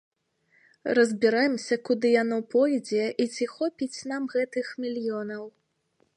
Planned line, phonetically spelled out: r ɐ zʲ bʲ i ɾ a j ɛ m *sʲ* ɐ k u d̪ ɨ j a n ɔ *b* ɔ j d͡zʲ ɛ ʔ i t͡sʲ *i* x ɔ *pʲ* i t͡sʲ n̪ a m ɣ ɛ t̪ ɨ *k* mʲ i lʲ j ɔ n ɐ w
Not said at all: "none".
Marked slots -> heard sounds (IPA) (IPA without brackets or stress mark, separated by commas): sʲ, p, i, pʲ, x